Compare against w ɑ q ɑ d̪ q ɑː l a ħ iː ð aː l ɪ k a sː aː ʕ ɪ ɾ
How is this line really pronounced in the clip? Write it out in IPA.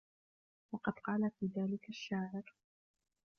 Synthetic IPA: w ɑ q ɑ d̪ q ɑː l a f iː ð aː l ɪ k a ʃː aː ʕ ɪ ɾ